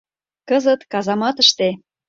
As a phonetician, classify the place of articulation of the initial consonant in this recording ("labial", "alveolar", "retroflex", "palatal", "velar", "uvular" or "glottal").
velar